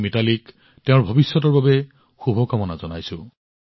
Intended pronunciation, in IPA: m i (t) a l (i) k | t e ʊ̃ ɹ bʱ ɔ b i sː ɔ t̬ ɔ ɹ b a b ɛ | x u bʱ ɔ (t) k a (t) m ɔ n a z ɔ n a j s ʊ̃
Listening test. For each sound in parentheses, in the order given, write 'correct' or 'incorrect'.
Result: correct, correct, incorrect: none, incorrect: none

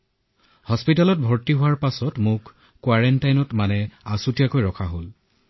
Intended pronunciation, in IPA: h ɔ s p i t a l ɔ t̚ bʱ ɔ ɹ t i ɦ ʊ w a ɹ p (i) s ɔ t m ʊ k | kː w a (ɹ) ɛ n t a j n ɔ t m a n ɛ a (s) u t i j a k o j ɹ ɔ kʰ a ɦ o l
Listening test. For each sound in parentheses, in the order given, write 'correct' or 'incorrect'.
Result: incorrect: a, correct, correct

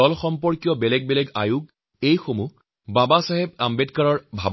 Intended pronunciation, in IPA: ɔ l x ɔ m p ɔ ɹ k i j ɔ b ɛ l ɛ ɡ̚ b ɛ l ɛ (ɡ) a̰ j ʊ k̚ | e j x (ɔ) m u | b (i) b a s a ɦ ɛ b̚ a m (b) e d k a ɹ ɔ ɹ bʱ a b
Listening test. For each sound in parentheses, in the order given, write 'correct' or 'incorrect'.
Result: correct, incorrect: o, incorrect: a, correct

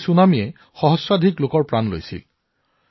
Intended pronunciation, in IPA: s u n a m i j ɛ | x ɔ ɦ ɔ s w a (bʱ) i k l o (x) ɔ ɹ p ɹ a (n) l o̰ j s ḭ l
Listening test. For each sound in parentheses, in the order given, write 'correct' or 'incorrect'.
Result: incorrect: dʱ, incorrect: k, correct

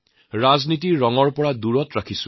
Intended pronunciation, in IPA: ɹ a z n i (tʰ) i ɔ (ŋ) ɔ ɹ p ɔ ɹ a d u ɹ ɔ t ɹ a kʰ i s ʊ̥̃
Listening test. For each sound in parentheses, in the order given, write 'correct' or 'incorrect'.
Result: incorrect: t, correct

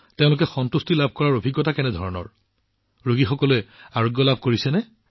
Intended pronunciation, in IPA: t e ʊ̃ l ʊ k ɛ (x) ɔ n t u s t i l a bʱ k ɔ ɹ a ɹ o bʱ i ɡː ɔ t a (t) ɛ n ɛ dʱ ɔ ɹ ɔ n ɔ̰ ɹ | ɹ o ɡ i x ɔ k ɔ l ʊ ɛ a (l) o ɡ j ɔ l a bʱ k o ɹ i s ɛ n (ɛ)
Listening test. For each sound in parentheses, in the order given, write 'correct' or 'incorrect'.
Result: correct, incorrect: k, incorrect: ɹ, correct

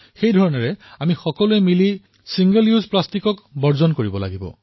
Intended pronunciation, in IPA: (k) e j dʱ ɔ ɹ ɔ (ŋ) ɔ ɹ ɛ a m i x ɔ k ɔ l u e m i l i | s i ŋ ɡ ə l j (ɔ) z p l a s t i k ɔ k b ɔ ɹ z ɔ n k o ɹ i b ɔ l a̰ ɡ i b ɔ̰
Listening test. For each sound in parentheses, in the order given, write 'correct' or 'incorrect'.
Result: incorrect: x, incorrect: n, incorrect: u

